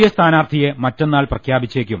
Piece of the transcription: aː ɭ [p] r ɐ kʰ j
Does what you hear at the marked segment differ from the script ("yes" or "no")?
no